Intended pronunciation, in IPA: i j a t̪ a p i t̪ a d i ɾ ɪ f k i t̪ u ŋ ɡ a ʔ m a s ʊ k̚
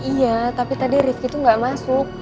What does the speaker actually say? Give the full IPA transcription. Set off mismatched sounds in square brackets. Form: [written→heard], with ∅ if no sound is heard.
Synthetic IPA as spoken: i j a t̪ a p i t̪ a d i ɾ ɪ f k i t̪ u ŋ ɡ a ʔ m a s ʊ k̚